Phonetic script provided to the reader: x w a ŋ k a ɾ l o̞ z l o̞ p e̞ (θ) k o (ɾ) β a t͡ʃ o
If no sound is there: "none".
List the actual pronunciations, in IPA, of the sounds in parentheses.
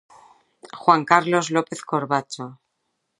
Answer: θ, ɾ

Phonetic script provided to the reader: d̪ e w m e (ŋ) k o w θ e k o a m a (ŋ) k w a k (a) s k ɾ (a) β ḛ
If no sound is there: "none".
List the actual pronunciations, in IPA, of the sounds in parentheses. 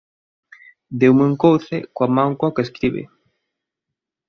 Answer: ŋ, ŋ, e, i

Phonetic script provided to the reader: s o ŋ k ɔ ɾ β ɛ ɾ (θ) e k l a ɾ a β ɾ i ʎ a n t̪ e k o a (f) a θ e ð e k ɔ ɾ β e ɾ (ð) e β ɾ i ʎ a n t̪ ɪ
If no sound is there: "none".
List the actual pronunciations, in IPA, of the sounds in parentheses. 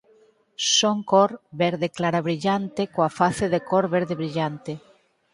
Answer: ð, f, ð

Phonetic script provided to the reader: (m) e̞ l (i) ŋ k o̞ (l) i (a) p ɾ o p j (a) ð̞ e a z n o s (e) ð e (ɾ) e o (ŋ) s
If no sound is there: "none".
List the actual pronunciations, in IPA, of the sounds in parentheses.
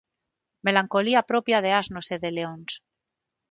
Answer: m, a, l, a, a, e, l, n

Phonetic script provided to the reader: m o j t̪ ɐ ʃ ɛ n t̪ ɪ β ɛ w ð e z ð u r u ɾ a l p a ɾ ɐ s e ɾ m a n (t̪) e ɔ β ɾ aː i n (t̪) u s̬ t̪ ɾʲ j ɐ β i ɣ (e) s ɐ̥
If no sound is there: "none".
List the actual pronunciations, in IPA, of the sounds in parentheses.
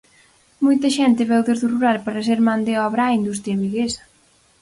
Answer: d̪, d̪, e

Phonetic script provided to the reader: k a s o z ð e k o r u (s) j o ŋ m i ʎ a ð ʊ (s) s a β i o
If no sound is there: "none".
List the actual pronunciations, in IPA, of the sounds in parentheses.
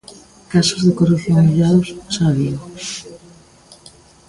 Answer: θ, s

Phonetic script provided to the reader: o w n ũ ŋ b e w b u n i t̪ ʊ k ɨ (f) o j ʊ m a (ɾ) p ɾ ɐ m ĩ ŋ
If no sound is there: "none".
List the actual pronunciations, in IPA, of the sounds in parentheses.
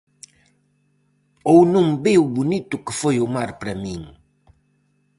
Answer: f, ɾ

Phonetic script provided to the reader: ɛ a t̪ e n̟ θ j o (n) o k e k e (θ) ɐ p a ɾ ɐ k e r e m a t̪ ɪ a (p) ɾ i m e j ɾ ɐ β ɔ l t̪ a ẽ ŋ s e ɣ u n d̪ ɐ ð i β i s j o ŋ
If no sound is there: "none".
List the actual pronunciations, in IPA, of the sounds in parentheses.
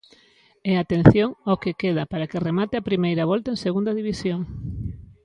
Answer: ŋ, ð, p

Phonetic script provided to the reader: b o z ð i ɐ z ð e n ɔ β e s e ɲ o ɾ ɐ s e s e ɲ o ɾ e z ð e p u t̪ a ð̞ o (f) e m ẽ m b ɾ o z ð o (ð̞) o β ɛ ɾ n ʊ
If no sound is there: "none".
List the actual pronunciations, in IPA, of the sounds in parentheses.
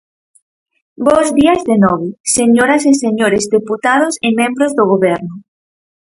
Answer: s, ɣ̞

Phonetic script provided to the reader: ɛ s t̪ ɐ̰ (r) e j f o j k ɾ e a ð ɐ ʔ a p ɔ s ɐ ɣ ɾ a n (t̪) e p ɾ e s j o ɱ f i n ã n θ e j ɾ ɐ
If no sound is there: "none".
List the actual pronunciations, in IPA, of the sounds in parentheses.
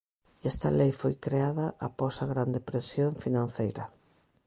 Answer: l, d̪

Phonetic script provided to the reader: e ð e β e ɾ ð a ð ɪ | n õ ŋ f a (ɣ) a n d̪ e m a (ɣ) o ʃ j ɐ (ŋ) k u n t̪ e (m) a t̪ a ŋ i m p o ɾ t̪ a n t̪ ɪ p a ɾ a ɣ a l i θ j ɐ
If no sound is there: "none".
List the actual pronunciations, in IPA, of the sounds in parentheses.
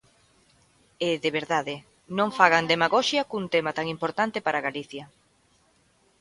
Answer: ɣ, ɣ, none, m

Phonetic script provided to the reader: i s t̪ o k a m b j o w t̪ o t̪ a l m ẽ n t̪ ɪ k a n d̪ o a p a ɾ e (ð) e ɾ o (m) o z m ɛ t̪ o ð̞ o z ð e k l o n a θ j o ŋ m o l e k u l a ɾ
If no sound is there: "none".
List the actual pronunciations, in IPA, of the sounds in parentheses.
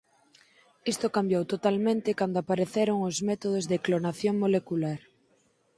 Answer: θ, ŋ

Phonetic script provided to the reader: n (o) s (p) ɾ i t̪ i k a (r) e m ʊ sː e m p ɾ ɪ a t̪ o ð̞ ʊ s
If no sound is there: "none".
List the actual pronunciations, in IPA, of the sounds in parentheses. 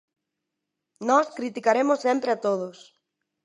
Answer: ɔ, k, ɾ

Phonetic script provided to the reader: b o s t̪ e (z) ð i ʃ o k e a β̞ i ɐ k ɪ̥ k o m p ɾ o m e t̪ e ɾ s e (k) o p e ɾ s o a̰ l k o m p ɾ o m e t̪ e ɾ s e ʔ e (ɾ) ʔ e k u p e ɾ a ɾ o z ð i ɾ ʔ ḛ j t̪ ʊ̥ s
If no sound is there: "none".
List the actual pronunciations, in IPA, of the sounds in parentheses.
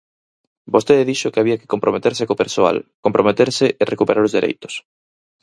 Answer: ð, k, r

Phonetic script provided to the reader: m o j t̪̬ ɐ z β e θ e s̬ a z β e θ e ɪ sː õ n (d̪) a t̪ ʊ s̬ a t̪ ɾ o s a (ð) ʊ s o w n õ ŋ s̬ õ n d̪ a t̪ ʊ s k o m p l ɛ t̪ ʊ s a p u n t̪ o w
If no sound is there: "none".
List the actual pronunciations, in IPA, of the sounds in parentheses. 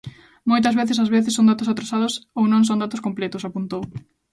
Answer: d̪, ð

